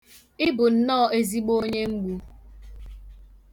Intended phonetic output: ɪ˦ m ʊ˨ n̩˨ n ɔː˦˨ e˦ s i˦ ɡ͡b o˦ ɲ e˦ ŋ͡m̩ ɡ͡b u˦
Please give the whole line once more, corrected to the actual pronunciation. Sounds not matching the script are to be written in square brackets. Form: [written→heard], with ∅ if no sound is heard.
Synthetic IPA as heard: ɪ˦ [m→b] ʊ˨ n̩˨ n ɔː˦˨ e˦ [s→z] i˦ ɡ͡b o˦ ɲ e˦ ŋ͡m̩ ɡ͡b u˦